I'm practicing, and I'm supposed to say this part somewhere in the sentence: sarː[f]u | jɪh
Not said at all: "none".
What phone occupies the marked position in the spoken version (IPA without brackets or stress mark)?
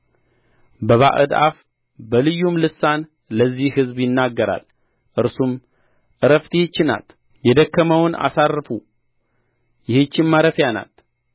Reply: f